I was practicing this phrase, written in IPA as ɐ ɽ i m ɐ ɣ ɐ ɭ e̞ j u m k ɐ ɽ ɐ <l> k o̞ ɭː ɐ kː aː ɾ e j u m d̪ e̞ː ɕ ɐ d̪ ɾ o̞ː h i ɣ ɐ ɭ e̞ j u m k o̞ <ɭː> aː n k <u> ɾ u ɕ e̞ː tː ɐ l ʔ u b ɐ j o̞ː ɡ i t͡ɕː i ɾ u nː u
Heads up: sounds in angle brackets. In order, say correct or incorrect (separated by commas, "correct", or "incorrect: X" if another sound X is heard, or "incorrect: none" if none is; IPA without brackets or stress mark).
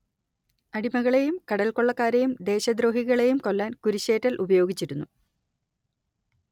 correct, incorrect: lː, correct